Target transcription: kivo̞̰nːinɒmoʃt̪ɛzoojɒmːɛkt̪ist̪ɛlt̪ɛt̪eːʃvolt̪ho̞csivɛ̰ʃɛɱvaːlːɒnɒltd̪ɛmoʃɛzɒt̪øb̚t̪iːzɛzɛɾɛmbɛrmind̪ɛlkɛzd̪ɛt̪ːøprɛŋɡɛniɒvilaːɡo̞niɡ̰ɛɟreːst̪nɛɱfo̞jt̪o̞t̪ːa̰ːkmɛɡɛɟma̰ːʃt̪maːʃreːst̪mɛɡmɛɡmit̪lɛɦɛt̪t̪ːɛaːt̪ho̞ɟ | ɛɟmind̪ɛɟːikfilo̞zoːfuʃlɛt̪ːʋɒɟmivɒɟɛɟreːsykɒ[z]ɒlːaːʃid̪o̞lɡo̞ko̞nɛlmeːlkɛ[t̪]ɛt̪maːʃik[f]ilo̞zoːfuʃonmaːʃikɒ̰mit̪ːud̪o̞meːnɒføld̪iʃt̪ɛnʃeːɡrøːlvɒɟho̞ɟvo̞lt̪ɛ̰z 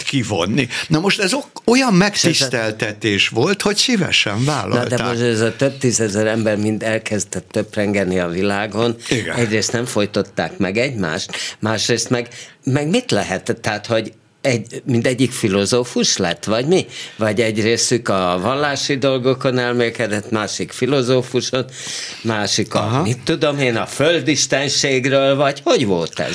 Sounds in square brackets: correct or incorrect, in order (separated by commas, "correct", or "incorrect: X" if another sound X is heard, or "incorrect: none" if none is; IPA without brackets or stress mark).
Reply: incorrect: v, incorrect: d̪, correct